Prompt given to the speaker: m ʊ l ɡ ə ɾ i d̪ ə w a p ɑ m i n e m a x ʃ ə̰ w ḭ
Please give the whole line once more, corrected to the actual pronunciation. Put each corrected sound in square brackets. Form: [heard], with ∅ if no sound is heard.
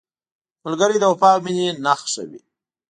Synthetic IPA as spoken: m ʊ l ɡ ə ɾ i d̪ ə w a p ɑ m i n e [n] a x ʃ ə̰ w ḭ